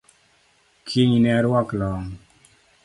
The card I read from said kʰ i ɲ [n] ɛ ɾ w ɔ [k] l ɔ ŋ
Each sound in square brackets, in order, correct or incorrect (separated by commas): correct, correct